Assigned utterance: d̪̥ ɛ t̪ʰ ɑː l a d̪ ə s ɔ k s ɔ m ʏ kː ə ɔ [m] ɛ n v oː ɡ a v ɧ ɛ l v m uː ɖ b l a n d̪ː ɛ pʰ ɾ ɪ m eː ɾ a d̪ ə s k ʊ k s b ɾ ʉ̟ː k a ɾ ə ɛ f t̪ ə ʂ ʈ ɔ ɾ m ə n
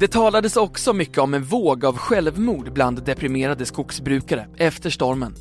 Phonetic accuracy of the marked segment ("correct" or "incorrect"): correct